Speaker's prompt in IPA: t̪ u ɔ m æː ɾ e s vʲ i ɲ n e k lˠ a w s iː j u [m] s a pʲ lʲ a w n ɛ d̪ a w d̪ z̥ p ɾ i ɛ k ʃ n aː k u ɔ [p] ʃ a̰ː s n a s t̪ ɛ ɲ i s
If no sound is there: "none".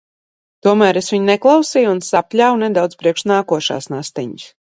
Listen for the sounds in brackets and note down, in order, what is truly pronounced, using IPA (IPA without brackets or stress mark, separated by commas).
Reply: n, none